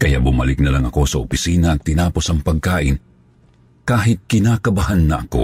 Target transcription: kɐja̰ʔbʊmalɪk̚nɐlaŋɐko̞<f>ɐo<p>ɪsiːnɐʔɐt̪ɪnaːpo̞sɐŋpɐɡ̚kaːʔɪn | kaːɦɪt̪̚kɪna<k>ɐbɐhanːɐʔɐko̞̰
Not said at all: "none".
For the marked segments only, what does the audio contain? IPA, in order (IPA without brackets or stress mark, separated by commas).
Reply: s, p, k